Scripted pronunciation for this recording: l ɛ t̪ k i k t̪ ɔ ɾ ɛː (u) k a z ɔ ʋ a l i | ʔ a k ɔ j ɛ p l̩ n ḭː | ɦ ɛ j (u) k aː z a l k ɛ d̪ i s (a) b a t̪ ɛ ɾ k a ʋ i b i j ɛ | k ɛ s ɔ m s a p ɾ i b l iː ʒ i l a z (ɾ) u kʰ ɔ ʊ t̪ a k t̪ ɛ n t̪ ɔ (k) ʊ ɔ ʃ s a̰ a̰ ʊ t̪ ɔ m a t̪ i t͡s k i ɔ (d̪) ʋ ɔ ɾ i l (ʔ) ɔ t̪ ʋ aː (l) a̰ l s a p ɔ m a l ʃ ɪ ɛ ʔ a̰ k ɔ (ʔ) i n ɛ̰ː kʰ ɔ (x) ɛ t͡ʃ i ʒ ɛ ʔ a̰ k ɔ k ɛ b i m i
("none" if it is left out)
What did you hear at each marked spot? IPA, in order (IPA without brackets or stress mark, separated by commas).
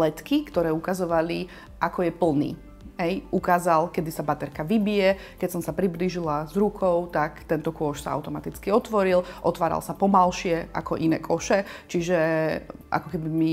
u, u, a, ɾ, k, t̪, ʔ, ɾ, ʔ, ʃ